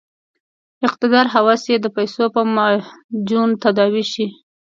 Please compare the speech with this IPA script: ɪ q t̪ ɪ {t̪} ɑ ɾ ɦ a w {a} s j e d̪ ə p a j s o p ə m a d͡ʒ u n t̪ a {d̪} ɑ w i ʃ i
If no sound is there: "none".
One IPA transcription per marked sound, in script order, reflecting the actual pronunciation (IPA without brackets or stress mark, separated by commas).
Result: d̪, ɑ, d̪